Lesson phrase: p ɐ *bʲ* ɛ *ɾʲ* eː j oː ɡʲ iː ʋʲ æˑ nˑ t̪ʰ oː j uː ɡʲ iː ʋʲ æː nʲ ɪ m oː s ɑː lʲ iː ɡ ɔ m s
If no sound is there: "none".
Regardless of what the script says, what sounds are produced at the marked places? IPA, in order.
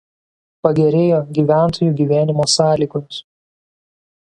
ɡʲ, ɾʲ

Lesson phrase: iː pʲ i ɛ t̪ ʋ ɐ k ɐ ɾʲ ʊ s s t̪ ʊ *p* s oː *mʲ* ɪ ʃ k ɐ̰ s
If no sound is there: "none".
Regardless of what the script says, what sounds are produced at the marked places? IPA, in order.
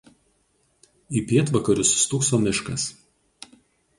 k, mʲ

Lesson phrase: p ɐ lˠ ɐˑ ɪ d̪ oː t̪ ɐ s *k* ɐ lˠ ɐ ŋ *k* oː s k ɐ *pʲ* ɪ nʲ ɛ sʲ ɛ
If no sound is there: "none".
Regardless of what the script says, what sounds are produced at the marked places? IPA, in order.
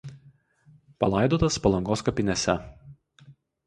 p, ɡ, pʲ

